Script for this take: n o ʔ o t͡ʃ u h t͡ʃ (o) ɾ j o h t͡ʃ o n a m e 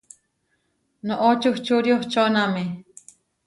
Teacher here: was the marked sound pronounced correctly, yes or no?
no